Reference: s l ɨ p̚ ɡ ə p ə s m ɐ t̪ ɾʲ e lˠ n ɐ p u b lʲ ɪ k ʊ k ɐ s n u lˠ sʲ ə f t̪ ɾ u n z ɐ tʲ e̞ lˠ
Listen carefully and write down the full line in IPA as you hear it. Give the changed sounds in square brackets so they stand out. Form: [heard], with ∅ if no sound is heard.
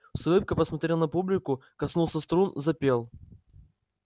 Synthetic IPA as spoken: s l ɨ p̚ [k] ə p ə s m ɐ t̪ ɾʲ e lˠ n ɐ p u b lʲ ɪ k ʊ k ɐ s n u lˠ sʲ ə [s] t̪ ɾ u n z ɐ [pʲ] e̞ lˠ